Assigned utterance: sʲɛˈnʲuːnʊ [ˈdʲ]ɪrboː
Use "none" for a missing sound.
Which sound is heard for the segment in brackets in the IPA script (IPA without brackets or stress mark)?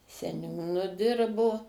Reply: dʲ